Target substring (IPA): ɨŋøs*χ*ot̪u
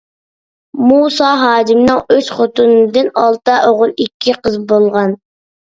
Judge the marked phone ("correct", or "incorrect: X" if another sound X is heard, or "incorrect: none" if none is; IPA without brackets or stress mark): correct